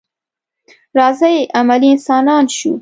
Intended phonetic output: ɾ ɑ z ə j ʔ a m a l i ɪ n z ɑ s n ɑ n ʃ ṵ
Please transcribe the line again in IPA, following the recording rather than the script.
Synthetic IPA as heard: ɾ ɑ z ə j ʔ a m a l i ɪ n s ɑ n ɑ n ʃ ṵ